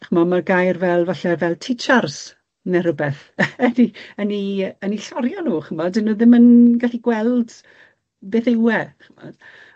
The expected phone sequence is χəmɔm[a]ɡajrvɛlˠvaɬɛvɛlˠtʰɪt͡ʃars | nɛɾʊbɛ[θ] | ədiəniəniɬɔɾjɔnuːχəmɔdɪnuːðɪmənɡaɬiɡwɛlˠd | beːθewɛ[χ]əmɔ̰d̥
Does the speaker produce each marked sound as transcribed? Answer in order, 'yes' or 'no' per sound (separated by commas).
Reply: yes, yes, yes